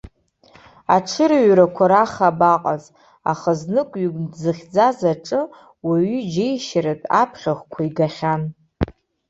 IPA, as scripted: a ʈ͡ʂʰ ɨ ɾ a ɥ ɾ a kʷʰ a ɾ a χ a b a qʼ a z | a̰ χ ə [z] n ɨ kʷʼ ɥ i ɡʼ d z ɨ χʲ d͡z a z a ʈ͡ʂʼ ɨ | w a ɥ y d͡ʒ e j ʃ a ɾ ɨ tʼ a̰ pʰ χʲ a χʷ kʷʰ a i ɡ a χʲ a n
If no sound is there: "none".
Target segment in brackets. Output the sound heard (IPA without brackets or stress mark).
z